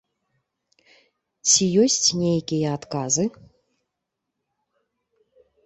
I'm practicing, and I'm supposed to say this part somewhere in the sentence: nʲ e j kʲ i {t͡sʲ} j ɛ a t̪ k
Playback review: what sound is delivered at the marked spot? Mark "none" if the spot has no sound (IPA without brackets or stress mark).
none